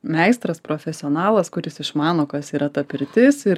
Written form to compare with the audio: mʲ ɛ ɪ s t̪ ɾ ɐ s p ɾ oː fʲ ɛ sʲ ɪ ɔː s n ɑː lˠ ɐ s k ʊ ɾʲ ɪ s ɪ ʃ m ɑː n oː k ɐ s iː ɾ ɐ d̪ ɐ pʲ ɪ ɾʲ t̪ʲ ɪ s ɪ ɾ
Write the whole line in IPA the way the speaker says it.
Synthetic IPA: mʲ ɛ ɪ s t̪ ɾ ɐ s p ɾ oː fʲ ɛ sʲ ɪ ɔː n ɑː lˠ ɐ s k ʊ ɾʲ ɪ s ɪ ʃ m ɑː n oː k ɐ s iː ɾ ɐ t̪ ɐ pʲ ɪ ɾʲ t̪ʲ ɪ s ɪ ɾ